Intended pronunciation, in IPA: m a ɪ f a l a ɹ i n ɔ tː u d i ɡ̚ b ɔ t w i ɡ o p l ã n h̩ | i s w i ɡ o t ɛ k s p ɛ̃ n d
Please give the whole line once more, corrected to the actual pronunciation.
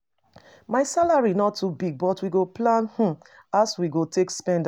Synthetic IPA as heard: m a ɪ s a l a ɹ i n ɔ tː u b i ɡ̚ b ɔ t w i ɡ o p l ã n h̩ | a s w i ɡ o t e k s p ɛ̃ n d